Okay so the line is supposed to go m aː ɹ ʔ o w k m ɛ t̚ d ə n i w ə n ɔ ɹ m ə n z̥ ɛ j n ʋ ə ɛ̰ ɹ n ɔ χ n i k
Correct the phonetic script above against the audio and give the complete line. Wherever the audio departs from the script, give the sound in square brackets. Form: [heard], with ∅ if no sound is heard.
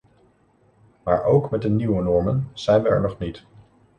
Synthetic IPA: m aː ɹ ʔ o w k m ɛ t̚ d ə n i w ə n ɔ ɹ m ə n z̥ ɛ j n ʋ ə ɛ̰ ɹ n ɔ χ n i [t]